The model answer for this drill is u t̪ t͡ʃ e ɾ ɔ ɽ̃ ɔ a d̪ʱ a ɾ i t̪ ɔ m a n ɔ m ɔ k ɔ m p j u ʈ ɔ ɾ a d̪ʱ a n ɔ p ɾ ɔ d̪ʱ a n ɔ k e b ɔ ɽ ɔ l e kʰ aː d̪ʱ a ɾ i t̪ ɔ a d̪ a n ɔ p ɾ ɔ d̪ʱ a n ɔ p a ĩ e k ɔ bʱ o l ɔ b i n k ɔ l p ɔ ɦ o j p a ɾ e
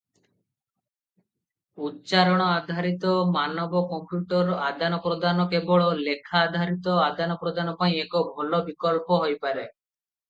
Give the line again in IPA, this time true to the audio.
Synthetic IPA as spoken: u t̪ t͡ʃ a ɾ ɔ ɽ̃ ɔ a d̪ʱ a ɾ i t̪ ɔ m a n ɔ b ɔ k ɔ m p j u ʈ ɔ ɾ a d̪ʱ a n ɔ p ɾ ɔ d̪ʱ a n ɔ k e b ɔ ɭ ɔ l e kʰ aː d̪ʱ a ɾ i t̪ ɔ a d̪ a n ɔ p ɾ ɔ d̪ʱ a n ɔ p a ĩ e k ɔ bʱ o l ɔ b i k ɔ l p ɔ ɦ o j p a ɾ e